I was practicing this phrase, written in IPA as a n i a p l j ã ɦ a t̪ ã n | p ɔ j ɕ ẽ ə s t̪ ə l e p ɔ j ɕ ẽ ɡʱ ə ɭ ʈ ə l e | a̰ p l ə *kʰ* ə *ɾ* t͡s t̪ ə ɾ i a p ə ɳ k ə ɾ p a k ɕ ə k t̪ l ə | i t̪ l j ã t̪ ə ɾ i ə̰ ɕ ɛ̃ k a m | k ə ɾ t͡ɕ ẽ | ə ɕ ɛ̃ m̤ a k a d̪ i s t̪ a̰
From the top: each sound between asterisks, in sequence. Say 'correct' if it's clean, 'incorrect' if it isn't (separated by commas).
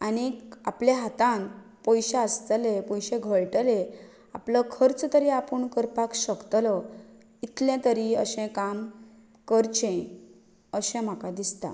correct, correct